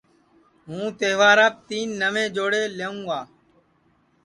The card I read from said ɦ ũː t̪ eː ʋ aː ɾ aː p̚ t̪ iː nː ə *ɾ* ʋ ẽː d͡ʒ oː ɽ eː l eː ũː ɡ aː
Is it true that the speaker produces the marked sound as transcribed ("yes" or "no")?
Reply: no